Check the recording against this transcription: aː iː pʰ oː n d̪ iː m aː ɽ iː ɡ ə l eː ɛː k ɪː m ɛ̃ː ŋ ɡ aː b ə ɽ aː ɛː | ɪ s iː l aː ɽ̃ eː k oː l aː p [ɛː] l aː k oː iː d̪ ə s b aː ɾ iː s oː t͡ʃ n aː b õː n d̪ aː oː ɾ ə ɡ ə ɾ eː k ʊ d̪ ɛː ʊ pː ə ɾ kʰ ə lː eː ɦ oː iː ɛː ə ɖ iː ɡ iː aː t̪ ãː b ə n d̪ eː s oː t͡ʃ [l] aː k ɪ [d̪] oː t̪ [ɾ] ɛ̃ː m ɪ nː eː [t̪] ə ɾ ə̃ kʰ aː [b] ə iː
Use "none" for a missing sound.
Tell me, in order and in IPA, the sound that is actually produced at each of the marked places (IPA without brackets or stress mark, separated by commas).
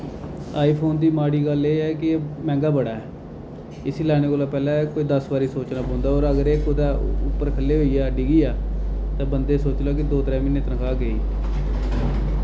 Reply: ɛː, l, d̪, ɾ, t̪, ɡ